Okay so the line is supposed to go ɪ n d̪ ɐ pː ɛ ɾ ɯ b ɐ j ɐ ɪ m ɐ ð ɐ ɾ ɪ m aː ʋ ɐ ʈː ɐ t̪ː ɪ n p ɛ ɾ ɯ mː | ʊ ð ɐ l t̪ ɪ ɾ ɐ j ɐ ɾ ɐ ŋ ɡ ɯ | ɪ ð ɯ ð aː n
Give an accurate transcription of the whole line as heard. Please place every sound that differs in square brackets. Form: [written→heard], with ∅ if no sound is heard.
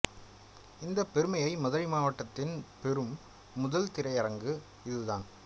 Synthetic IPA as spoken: ɪ n d̪ ɐ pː ɛ ɾ ɯ [b→m] ɐ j ɐ ɪ m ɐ ð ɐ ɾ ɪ m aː ʋ ɐ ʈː ɐ t̪ː ɪ n p ɛ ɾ ɯ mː | ʊ ð ɐ l t̪ ɪ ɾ ɐ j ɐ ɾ ɐ ŋ ɡ ɯ | ɪ ð ɯ ð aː n